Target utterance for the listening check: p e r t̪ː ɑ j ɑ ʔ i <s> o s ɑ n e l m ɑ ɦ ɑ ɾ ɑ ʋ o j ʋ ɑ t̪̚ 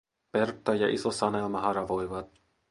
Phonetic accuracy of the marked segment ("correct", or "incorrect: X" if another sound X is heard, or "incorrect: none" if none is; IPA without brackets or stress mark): correct